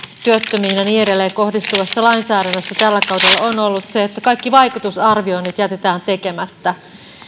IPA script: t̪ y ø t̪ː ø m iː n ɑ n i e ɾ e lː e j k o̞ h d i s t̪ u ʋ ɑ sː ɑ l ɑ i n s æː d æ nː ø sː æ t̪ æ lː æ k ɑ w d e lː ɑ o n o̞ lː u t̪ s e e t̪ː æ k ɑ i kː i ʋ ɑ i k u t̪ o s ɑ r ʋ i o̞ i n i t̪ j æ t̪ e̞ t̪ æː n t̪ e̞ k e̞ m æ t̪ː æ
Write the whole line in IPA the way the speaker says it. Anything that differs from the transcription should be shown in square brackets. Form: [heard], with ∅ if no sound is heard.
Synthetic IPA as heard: t̪ y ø t̪ː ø m iː n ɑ n i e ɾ e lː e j k o̞ h d i s t̪ u ʋ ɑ sː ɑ l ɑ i n s æː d æ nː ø sː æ t̪ æ lː æ k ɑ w d e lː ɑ o n o̞ lː u t̪ s e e t̪ː æ k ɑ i kː i ʋ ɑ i k u t̪ [u] s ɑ r ʋ i o̞ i n i t̪ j æ t̪ e̞ t̪ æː n t̪ e̞ k e̞ m æ t̪ː æ